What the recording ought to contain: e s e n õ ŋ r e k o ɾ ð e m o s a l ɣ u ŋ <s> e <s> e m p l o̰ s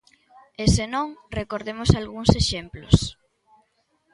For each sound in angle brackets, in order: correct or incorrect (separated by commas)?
correct, incorrect